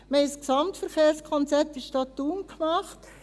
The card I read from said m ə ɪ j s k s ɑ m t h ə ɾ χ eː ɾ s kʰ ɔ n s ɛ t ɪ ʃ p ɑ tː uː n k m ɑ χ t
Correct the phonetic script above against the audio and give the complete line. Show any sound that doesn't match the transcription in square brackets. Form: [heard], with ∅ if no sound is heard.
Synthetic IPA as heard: m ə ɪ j s k s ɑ m t [f] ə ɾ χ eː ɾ s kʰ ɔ n [t͡s] ɛ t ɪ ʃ [t] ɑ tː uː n k m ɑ χ t